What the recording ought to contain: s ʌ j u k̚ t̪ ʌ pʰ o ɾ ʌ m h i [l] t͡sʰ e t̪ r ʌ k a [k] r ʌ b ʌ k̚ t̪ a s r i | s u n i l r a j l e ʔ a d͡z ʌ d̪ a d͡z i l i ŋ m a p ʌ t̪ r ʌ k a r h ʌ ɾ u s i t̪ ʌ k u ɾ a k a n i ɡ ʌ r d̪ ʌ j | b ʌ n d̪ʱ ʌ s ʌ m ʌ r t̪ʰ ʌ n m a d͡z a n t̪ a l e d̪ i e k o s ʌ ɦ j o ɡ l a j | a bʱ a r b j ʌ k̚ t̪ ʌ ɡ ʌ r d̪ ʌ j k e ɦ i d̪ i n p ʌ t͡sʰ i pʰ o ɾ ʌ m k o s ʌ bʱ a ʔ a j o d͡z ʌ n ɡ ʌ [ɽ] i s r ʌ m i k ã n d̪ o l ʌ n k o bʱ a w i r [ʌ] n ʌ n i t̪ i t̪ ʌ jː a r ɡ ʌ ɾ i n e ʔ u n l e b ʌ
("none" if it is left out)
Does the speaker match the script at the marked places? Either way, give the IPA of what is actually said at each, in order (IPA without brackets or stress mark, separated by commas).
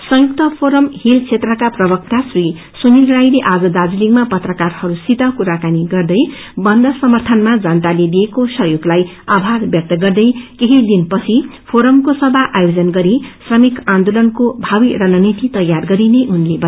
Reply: l, p, ɾ, ʌ